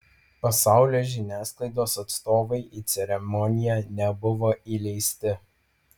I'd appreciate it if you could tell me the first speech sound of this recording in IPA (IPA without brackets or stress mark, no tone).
p